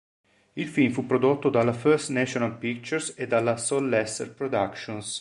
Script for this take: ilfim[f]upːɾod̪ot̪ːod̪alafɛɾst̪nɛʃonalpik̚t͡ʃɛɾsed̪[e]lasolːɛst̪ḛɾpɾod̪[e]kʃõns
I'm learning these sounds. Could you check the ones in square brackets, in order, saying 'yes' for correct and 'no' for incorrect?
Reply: yes, no, no

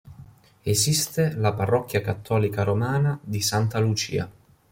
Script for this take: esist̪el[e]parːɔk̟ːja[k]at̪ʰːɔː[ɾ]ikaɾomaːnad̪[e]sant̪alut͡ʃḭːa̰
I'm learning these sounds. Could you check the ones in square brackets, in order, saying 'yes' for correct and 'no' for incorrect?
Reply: no, yes, no, no

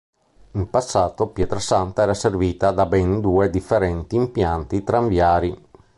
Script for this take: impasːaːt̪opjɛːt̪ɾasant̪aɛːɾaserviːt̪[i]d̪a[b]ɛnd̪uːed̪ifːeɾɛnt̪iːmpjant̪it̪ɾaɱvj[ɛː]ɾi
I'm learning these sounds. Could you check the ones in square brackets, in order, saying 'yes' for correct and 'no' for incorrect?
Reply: no, yes, no

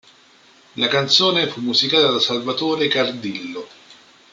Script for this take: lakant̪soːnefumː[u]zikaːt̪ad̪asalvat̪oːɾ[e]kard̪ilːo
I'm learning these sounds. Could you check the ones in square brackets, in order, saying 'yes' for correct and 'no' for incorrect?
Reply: yes, yes

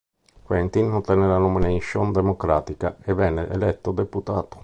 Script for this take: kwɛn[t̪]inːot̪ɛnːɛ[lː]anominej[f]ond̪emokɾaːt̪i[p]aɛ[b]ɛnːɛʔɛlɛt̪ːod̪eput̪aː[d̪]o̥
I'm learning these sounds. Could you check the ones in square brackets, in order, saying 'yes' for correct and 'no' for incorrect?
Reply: yes, no, no, no, no, no

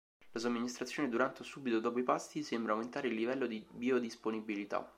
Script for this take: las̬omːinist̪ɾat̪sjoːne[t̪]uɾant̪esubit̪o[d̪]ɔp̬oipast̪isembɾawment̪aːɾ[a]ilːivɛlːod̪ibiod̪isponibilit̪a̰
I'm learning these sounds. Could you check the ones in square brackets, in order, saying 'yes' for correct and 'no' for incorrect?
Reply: no, yes, no

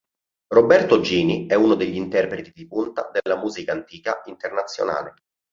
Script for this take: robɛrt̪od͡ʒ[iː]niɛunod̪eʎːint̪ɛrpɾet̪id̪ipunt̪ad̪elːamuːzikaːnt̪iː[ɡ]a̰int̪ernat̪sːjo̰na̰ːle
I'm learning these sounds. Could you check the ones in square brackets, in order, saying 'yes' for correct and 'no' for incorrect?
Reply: yes, no

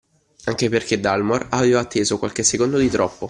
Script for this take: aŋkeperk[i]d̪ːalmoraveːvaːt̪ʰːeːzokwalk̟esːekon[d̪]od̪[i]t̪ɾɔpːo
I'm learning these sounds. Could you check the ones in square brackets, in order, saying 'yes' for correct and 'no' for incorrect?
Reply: no, yes, yes

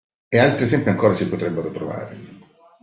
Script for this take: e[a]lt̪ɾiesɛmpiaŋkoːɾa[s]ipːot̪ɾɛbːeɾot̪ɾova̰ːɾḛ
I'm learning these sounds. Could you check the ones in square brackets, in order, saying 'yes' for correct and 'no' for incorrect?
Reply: yes, yes

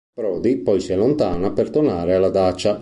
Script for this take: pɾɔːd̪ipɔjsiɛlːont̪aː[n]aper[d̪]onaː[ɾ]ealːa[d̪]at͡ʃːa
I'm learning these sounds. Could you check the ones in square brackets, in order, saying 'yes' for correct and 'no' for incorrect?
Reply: yes, no, yes, yes

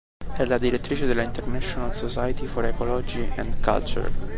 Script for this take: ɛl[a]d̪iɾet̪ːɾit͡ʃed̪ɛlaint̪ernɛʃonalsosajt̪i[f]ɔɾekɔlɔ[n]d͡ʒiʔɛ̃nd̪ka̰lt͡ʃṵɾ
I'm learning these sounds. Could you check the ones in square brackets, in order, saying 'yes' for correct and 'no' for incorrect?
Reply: yes, yes, no

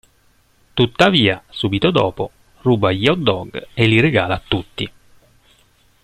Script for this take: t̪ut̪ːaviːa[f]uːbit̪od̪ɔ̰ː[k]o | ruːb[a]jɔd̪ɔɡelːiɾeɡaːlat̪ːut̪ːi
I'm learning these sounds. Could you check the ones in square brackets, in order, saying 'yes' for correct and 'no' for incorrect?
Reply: no, no, yes

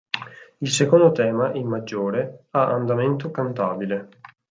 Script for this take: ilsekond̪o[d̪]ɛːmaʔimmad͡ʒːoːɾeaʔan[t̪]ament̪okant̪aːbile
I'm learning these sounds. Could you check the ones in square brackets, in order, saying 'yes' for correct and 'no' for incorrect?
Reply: no, no

